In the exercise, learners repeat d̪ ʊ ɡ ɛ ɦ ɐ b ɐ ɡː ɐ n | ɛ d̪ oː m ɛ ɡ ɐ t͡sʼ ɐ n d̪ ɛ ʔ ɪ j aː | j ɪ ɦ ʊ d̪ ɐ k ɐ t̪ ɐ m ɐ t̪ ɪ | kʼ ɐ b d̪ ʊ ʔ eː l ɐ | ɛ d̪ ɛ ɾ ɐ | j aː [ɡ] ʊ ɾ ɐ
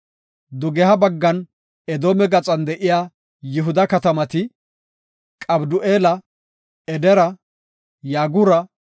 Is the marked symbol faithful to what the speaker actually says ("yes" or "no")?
yes